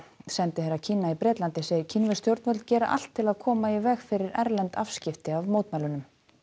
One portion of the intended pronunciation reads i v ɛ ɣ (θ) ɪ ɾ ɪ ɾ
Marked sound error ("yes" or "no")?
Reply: yes